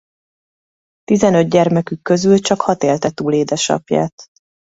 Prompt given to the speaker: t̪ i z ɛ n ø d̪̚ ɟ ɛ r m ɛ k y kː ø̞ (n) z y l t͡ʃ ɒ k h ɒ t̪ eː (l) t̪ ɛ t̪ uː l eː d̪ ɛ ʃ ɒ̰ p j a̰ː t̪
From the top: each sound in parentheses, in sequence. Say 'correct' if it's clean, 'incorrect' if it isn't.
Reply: incorrect: none, correct

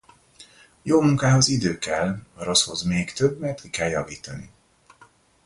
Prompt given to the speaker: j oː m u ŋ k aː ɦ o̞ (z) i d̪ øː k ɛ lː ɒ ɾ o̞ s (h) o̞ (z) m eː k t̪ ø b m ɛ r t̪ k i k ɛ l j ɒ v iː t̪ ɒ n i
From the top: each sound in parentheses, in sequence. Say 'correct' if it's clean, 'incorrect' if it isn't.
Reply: correct, correct, correct

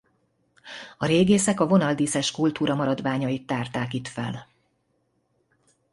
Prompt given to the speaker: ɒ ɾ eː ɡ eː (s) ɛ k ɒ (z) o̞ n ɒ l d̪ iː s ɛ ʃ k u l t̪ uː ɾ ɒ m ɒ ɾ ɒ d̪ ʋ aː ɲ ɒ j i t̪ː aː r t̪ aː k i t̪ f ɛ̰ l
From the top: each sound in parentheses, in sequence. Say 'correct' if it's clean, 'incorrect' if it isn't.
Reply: correct, incorrect: v

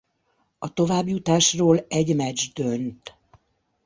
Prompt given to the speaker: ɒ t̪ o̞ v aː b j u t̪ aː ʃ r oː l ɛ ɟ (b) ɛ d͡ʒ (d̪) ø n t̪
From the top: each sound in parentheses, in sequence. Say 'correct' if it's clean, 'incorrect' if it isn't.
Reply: incorrect: m, correct

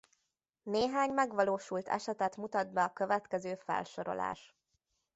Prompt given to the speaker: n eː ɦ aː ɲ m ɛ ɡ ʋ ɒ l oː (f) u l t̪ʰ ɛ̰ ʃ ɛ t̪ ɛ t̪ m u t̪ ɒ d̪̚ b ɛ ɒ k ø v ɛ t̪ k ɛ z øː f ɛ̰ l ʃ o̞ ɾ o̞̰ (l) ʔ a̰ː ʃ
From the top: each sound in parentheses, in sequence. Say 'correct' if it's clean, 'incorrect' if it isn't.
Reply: incorrect: ʃ, correct

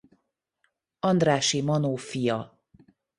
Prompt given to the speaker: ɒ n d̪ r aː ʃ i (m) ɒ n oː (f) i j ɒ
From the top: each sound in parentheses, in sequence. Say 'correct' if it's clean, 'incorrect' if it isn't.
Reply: correct, correct

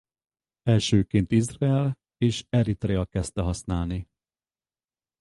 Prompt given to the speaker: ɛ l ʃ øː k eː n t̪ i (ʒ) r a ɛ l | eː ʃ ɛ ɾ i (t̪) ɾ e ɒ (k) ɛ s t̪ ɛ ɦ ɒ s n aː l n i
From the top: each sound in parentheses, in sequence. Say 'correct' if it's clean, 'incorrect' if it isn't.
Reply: incorrect: z, correct, correct

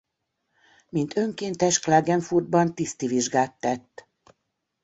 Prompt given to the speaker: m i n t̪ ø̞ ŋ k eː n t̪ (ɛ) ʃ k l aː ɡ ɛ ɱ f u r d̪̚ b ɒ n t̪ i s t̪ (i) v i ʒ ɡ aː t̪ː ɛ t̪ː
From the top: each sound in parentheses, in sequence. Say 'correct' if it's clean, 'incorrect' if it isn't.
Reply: correct, correct

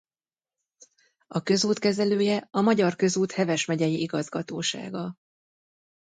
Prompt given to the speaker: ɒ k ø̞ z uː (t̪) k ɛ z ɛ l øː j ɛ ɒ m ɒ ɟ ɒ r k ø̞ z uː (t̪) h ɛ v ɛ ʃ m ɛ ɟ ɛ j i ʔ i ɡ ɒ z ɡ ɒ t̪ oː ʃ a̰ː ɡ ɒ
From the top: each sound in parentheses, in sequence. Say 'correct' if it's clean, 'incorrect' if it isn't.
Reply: correct, correct

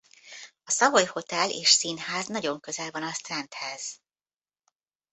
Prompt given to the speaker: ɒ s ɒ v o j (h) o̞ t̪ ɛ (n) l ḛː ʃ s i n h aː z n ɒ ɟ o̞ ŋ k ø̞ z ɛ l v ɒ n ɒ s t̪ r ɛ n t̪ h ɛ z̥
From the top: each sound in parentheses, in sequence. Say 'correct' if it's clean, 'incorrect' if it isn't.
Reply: correct, incorrect: none

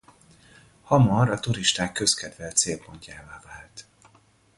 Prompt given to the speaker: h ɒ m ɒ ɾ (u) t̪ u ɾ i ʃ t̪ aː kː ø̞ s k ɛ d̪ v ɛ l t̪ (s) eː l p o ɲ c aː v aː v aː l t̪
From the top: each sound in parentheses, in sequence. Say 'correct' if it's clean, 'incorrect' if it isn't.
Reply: incorrect: ɒ, correct

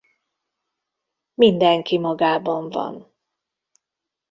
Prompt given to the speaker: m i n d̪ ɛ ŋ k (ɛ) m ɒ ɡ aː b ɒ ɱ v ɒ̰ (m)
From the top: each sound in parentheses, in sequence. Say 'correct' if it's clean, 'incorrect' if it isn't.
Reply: incorrect: i, incorrect: n

